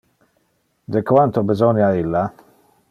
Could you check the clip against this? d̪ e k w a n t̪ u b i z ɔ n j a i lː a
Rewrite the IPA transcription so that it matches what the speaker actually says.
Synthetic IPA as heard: d̪ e k w a n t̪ o b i z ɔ n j a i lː a